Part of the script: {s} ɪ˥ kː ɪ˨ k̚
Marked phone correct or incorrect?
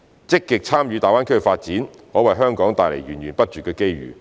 incorrect